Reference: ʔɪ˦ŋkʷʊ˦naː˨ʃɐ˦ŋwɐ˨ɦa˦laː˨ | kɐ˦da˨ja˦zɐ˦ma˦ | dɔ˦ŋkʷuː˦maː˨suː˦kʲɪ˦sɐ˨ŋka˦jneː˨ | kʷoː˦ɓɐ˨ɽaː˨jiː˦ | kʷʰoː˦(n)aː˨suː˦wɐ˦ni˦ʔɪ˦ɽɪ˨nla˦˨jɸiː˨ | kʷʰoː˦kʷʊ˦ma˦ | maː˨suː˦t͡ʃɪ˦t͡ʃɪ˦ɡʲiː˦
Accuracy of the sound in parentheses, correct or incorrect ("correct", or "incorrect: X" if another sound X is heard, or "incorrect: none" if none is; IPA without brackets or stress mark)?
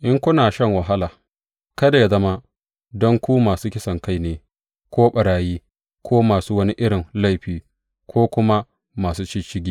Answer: incorrect: m